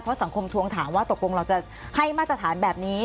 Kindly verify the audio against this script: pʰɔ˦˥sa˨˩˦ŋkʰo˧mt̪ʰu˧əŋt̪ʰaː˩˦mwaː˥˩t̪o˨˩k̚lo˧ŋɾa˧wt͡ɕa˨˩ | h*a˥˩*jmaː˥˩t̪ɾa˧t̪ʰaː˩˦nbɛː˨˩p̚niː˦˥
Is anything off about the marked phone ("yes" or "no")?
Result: no